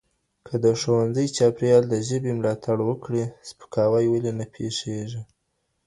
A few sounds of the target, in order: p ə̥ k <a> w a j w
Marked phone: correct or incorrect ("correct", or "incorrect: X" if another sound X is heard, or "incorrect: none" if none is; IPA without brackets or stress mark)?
incorrect: ɑ